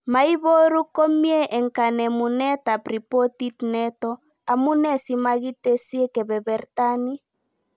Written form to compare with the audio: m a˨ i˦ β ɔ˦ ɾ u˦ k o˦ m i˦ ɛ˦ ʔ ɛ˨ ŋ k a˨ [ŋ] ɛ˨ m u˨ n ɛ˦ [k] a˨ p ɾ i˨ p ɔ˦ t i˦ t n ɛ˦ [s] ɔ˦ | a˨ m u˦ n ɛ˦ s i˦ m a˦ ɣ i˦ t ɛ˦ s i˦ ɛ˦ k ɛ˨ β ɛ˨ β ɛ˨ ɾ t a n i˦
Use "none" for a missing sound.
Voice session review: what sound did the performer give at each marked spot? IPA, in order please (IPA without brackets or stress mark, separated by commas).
n, t, t